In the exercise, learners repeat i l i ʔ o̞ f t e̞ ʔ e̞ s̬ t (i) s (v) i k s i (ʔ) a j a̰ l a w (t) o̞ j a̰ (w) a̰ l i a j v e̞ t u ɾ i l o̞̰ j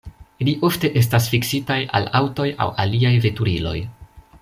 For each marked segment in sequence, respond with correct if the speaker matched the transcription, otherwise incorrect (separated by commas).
incorrect, incorrect, incorrect, correct, correct